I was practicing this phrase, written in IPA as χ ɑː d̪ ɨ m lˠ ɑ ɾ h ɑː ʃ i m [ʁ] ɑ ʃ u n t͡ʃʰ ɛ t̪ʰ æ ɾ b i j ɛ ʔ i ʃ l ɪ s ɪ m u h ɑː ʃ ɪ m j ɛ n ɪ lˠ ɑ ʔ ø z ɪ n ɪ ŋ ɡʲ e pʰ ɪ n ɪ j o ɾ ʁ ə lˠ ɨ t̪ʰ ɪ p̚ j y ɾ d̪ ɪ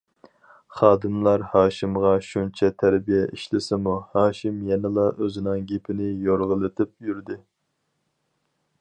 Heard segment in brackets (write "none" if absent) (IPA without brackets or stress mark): ʁ